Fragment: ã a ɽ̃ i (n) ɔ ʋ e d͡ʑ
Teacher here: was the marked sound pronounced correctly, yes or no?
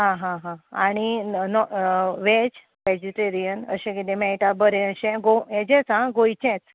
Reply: yes